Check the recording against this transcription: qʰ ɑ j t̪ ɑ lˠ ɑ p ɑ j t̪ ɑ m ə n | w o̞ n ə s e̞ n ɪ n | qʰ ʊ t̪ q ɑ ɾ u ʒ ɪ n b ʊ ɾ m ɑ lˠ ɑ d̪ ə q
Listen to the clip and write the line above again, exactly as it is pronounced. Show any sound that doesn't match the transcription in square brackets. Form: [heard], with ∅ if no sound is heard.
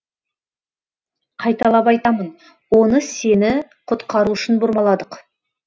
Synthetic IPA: qʰ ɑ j t̪ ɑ lˠ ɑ p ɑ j t̪ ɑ m ə n | w o̞ n ə s e̞ n ɪ [∅] | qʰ ʊ t̪ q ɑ ɾ u [ʃ] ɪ n b ʊ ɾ m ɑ lˠ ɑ d̪ ə q